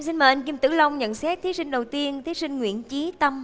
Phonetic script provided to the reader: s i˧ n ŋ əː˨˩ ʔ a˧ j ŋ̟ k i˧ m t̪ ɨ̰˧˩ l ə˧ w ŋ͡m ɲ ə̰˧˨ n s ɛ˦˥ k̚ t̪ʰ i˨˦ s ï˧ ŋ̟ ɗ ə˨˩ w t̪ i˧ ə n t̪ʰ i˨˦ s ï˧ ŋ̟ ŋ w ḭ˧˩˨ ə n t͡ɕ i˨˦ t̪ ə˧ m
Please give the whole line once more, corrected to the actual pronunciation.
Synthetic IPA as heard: s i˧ n m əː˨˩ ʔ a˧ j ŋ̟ k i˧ m t̪ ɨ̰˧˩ l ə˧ w ŋ͡m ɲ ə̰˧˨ n s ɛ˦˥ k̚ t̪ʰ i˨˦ s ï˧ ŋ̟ ɗ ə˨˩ w t̪ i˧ ə n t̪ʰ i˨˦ s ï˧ ŋ̟ ŋ w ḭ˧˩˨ ə n t͡ɕ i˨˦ t̪ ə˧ m

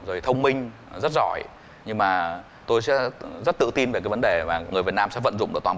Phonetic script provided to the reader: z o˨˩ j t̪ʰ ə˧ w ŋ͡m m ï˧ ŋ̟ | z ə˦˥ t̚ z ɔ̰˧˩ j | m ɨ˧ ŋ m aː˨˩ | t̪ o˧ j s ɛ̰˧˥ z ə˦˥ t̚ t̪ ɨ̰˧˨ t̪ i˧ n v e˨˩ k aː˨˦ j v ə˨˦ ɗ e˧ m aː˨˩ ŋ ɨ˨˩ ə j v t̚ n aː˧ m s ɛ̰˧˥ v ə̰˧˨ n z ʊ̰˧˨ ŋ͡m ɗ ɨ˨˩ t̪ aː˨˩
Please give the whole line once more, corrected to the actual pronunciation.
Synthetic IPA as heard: z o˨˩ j t̪ʰ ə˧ w ŋ͡m m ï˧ ŋ̟ | z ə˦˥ t̚ z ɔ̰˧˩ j | ɲ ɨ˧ ŋ m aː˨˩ | t̪ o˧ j s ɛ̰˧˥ z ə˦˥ t̚ t̪ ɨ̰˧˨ t̪ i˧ n v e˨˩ k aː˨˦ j v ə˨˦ ɗ e˨˩ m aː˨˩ ŋ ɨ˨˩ ə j v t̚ n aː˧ m s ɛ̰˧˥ v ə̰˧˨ n z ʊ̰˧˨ ŋ͡m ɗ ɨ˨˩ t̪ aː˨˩

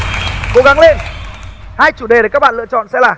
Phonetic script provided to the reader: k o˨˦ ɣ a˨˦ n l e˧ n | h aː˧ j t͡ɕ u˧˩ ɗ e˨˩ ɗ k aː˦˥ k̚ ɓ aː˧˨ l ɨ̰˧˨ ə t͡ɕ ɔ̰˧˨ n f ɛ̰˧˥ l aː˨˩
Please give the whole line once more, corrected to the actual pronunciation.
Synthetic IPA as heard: k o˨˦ ɣ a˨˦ ŋ l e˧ n | h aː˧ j t͡ɕ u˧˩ ɗ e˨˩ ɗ k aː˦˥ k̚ ɓ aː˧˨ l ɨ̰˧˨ ə t͡ɕ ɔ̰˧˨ n s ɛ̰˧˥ l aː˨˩

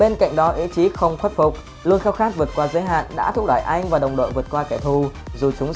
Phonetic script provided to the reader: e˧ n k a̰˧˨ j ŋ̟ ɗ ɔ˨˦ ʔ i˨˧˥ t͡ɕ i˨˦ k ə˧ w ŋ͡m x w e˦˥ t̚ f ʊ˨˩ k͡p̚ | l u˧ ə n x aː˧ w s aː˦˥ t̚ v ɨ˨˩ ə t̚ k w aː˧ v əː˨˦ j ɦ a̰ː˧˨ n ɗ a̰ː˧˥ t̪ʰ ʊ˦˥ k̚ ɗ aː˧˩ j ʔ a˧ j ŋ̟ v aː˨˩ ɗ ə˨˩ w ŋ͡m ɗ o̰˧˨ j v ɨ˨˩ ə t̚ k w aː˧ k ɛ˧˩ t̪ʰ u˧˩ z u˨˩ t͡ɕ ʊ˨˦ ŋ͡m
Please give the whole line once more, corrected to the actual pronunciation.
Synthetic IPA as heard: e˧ n k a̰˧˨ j ŋ̟ ɗ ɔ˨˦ ʔ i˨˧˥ t͡ɕ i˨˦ x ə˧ w ŋ͡m x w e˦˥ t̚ f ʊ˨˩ k͡p̚ | l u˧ ə n x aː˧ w x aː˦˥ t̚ v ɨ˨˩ ə t̚ k w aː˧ z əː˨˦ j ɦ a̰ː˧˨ n ɗ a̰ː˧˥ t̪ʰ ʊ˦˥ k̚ ɗ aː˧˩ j ʔ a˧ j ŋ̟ v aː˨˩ ɗ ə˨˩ w ŋ͡m ɗ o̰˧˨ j v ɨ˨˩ ə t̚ k w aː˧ k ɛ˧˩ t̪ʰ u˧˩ z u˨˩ t͡ɕ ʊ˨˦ ŋ͡m

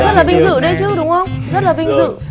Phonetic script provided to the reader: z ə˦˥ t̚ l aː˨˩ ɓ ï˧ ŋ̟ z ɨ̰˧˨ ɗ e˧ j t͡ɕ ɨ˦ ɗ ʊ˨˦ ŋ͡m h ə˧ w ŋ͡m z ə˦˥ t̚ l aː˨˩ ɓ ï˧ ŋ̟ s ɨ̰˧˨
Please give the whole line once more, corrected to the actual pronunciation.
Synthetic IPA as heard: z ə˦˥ t̚ l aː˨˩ ɓ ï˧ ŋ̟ z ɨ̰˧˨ ɗ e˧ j t͡ɕ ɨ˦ ɗ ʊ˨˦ ŋ͡m x ə˧ w ŋ͡m z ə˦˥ t̚ l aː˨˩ ɓ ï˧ ŋ̟ z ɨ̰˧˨

